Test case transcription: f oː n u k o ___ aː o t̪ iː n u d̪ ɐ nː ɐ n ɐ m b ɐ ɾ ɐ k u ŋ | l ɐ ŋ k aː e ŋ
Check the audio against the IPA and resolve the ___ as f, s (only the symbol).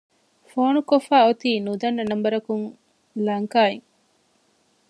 f